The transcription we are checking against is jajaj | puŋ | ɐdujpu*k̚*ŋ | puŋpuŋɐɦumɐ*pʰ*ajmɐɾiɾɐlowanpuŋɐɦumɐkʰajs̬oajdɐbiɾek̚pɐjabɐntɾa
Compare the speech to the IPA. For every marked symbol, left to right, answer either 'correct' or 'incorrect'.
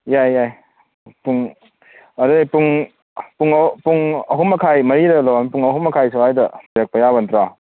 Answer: incorrect, incorrect

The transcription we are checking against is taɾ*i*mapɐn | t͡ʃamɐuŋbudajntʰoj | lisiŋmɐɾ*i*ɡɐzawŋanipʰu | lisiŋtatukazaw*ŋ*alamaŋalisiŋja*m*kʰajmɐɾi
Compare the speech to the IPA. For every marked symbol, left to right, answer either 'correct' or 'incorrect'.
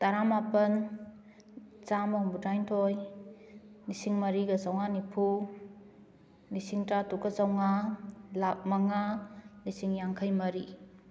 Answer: incorrect, correct, correct, incorrect

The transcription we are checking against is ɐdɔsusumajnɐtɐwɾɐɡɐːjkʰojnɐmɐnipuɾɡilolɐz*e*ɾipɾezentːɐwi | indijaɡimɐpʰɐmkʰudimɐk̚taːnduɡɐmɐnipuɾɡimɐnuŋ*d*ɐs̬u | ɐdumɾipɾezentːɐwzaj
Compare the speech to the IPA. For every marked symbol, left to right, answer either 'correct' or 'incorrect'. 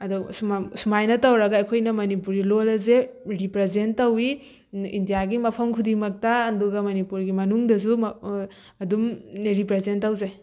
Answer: correct, correct

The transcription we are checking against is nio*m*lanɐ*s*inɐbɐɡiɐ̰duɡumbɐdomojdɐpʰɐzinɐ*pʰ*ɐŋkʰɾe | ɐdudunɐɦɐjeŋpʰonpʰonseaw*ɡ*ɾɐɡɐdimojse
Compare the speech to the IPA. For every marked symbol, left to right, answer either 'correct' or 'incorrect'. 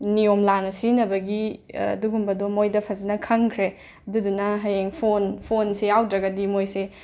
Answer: correct, correct, incorrect, incorrect

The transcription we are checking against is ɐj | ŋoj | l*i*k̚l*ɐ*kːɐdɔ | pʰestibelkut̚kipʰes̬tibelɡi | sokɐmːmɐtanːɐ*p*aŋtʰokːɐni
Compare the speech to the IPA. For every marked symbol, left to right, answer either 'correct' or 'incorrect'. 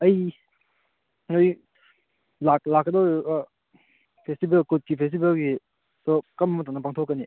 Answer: incorrect, incorrect, correct

